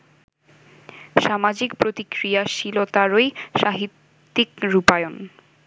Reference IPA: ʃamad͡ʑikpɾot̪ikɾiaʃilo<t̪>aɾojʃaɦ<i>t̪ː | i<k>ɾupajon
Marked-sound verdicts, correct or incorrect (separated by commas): correct, correct, correct